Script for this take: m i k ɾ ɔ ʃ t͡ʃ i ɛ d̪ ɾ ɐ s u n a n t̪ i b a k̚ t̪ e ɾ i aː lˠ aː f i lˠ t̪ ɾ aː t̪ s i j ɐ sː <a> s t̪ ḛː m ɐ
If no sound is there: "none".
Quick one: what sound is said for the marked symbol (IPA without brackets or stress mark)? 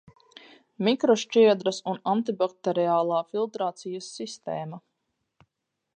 i